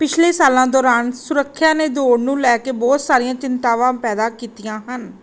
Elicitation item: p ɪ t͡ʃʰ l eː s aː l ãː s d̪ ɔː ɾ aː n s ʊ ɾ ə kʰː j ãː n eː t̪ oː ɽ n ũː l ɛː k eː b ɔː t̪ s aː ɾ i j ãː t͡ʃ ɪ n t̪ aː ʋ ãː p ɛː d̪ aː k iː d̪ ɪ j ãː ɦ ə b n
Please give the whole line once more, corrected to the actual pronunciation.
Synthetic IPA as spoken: p ɪ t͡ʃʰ l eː s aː l ãː d̪ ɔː ɾ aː n s ʊ ɾ ə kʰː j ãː n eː d̪ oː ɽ n ũː l ɛː k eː b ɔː t̪ s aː ɾ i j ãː t͡ʃ ɪ n t̪ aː ʋ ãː p ɛː d̪ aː k iː t̪ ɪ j ãː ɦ ə n